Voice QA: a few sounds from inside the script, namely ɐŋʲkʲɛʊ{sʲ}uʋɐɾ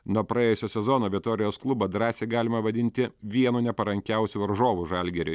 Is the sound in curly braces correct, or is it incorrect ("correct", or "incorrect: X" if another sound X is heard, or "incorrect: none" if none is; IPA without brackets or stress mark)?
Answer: correct